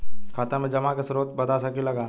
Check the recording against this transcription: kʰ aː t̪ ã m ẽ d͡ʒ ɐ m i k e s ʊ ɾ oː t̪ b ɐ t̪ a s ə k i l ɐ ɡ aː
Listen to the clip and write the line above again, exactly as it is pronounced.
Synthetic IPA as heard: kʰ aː t̪ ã m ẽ d͡ʒ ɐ m a k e s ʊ ɾ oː t̪ b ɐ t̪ a s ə k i l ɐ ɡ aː